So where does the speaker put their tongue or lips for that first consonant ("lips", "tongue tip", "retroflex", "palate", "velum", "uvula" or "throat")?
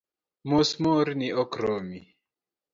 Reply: lips